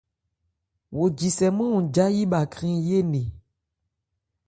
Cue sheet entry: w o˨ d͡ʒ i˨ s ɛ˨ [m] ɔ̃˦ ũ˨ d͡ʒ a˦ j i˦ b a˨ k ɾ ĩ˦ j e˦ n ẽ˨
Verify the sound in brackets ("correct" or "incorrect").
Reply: correct